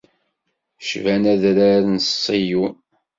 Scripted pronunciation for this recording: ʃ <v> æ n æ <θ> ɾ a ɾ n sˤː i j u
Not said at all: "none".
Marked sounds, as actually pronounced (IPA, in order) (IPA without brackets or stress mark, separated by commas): v, ð